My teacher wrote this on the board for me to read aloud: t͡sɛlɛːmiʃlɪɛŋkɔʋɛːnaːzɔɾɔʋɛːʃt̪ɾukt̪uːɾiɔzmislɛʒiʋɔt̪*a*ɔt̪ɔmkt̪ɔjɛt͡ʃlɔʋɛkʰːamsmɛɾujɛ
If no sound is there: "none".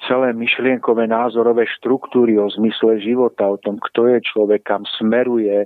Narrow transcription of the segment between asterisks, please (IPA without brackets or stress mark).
a